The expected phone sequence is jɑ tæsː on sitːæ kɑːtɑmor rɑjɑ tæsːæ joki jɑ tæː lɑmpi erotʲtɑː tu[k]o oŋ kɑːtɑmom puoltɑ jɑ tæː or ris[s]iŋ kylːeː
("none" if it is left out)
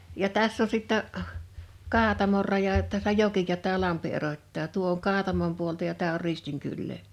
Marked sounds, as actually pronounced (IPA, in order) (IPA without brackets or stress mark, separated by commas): none, t